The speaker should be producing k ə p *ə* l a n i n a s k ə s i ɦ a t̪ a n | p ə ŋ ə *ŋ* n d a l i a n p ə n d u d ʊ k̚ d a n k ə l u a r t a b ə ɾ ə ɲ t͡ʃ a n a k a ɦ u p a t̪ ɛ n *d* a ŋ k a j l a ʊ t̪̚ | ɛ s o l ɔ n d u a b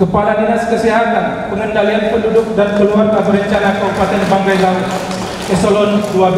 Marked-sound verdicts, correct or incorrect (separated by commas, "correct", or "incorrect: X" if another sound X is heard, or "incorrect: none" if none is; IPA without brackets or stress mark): incorrect: a, incorrect: none, incorrect: b